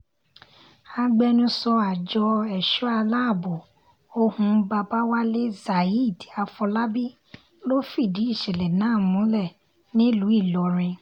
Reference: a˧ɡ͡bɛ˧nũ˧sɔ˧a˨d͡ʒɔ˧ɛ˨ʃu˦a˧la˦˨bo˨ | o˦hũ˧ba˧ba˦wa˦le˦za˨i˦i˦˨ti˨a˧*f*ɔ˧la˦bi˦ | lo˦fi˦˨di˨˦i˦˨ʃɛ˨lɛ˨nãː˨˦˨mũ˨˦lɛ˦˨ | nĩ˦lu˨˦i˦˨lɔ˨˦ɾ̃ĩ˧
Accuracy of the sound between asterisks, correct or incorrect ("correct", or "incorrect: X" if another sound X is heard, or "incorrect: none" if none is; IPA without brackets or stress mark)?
correct